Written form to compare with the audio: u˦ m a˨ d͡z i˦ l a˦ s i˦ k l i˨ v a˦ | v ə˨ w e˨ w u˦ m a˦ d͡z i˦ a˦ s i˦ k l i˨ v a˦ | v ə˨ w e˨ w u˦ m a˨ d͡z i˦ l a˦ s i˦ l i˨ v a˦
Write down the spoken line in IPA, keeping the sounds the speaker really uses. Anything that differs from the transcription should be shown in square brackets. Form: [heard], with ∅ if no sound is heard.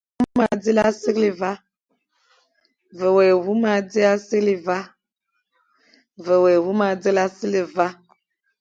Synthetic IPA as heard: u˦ m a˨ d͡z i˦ l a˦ s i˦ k l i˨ v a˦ | v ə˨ w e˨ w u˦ m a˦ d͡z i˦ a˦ s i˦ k l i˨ v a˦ | v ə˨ w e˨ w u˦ m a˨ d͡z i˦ l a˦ s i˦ l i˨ v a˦